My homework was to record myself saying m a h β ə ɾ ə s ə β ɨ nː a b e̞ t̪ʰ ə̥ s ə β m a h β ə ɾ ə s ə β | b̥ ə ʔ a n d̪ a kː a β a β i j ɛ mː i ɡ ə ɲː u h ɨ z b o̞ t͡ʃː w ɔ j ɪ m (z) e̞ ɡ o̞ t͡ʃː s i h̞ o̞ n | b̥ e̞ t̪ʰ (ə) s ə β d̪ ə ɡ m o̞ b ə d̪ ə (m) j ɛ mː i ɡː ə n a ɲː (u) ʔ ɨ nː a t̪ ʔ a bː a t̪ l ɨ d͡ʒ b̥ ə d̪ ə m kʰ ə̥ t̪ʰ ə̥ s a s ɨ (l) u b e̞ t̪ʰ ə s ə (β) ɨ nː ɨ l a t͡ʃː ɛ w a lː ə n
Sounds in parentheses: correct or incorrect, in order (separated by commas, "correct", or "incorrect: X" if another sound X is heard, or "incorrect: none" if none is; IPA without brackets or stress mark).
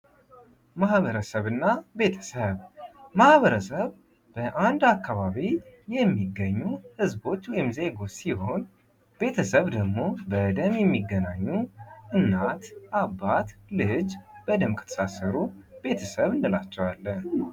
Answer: correct, correct, correct, correct, incorrect: ɾ, correct